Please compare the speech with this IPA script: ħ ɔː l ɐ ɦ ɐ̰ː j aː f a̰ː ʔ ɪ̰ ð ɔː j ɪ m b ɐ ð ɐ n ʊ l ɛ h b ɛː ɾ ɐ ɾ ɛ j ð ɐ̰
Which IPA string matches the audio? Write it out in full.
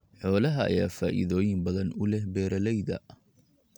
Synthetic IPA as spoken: ħ ɔː l ɐ ɦ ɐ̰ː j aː f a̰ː ʔ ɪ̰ ð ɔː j ɪ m b ɐ ð ɐ n ʊ l ɛ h b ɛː ɾ ɐ l ɛ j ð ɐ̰